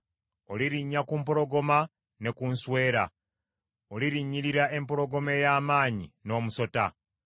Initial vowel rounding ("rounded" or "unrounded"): rounded